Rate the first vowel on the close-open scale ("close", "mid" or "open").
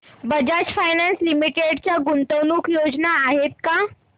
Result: mid